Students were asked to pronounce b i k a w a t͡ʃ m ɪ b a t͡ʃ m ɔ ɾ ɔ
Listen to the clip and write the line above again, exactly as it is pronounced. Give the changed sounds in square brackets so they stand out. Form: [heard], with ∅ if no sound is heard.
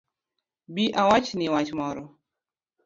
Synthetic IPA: b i [ʔ] a w a t͡ʃ [n] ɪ [w] a t͡ʃ m ɔ ɾ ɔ